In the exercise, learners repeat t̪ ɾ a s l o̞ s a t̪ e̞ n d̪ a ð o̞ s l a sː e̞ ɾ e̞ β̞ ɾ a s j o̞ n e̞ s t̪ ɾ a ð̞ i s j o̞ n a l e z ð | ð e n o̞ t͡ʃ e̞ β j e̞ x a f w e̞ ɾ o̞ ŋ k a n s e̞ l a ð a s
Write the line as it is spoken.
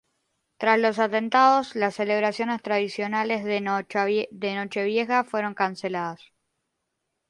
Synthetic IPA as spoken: t̪ ɾ a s l o̞ s a t̪ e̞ n t̪ a ð o̞ s l a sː e̞ l e̞ β̞ ɾ a s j o̞ n e̞ s t̪ ɾ a ð̞ i s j o̞ n a l e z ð | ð e n o̞ t͡ʃ e̞ β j e̞ x a f w e̞ ɾ o̞ ŋ k a n s e̞ l a ð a s